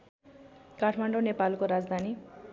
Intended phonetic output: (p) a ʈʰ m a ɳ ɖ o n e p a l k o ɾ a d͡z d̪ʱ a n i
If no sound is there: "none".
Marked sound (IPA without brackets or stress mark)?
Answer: k